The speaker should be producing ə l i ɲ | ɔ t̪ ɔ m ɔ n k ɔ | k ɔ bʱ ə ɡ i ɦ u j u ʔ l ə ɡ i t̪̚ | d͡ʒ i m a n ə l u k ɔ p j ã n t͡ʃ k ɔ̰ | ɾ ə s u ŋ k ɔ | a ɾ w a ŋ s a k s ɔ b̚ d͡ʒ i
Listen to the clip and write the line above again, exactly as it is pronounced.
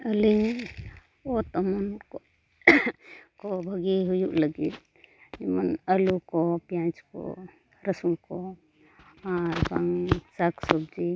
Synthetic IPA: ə l i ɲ | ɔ t̪ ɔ m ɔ n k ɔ | k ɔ bʱ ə ɡ i ɦ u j u ʔ l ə ɡ i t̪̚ | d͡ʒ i m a n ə l u k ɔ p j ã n t͡ʃ k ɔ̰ | ɾ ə s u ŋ k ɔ | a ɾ b a ŋ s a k s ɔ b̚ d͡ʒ i